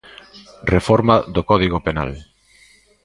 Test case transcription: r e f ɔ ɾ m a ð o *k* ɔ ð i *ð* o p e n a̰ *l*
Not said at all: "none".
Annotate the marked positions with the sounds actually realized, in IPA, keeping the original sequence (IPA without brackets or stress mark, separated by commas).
k, ɣ, l